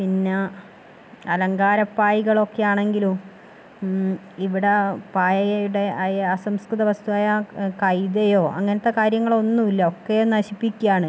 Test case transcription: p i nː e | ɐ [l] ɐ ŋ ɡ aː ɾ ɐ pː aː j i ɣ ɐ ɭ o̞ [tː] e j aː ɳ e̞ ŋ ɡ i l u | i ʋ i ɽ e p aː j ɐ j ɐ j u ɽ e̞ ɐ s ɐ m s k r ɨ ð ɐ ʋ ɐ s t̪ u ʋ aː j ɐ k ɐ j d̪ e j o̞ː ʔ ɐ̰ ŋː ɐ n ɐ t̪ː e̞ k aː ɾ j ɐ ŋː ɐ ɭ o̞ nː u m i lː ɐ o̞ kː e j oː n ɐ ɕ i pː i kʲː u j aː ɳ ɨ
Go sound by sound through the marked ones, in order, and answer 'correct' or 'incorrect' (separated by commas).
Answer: correct, incorrect